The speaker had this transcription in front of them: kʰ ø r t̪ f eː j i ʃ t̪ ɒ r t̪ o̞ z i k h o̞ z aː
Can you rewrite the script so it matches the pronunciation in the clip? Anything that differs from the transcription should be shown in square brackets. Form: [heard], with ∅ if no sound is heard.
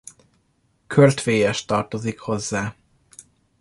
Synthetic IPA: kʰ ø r t̪ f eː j [ɛ] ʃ t̪ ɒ r t̪ o̞ z i k h o̞ [zː] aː